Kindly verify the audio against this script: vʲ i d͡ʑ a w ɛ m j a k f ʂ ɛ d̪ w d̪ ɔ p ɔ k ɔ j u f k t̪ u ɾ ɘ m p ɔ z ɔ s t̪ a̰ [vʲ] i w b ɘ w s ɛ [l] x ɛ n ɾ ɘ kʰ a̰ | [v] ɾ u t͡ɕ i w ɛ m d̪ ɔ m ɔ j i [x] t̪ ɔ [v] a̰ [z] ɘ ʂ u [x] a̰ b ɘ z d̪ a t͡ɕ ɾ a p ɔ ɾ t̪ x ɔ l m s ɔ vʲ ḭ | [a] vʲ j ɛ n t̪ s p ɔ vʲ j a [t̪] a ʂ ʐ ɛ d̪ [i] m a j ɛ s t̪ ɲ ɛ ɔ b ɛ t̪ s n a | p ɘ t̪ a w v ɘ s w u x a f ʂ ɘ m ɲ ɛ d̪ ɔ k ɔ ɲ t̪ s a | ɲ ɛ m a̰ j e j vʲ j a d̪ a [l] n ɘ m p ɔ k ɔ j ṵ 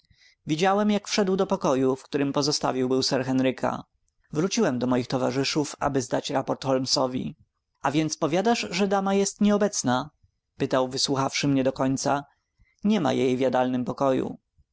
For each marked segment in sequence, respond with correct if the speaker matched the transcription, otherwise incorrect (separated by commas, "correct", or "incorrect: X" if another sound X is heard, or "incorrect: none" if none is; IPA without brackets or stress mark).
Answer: correct, incorrect: ɾ, correct, correct, correct, incorrect: ʐ, incorrect: f, correct, incorrect: d̪, incorrect: a, correct